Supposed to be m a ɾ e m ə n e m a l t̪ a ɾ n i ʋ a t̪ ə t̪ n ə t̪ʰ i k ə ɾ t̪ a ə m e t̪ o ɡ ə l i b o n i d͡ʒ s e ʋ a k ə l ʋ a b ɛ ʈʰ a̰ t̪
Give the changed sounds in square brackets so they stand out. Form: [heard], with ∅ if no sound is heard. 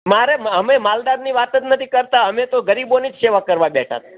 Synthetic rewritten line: m a ɾ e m ə [m] e m a l [d̪] a ɾ n i ʋ a t̪ ə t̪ n ə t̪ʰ i k ə ɾ t̪ a ə m e t̪ o ɡ ə [ɾ] i b o n i d͡ʒ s e ʋ a k ə [ɾ] ʋ a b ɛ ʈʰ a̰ t̪